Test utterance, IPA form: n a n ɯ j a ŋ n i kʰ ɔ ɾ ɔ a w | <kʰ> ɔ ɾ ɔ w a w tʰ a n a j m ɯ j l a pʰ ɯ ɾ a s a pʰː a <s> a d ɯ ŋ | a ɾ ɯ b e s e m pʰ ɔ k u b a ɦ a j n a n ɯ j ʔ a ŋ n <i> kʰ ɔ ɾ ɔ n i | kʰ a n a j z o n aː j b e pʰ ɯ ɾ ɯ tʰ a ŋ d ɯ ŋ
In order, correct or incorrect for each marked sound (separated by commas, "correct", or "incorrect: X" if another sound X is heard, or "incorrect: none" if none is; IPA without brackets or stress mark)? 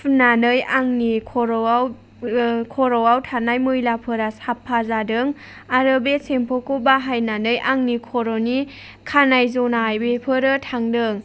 correct, incorrect: z, correct